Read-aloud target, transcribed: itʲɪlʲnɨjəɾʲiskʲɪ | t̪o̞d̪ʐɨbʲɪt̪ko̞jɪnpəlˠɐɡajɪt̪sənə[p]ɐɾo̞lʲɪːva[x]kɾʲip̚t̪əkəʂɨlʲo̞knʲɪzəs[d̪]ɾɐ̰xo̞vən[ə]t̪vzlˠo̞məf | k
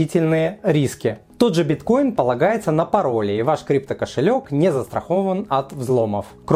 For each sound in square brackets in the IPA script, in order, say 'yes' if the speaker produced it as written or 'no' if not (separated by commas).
yes, no, no, no